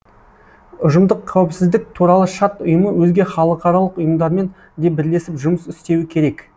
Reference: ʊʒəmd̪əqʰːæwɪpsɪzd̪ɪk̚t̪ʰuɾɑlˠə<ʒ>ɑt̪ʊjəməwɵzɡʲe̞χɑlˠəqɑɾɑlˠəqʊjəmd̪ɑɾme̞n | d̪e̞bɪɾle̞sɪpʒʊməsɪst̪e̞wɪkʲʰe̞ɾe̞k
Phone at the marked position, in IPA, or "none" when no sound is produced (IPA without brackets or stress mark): ʃ